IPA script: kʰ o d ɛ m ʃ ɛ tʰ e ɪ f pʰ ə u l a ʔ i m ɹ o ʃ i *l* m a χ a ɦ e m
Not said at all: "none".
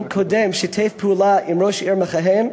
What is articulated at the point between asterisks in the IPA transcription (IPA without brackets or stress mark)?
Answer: ɹ